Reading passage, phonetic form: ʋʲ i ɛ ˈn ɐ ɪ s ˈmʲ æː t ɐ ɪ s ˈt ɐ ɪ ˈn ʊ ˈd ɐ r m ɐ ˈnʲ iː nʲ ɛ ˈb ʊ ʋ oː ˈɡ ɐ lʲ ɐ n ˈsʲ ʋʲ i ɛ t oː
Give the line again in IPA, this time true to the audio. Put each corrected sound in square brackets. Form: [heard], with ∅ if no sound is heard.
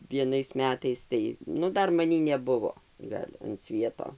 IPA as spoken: ʋʲ i ɛ ˈn ɐ ɪ s ˈmʲ æː t ɐ ɪ s ˈt ɐ ɪ ˈn ʊ ˈd ɐ r m ɐ ˈnʲ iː nʲ ɛ ˈb ʊ ʋ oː ˈɡ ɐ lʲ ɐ n ˈsʲ ʋʲ i ɛ t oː